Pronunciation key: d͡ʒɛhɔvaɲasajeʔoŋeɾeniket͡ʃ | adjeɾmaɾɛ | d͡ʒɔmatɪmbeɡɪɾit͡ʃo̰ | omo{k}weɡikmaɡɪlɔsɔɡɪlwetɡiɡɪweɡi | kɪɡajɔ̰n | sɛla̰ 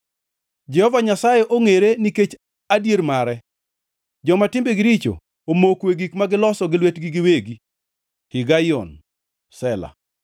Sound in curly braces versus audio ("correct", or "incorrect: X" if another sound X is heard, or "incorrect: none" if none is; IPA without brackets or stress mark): correct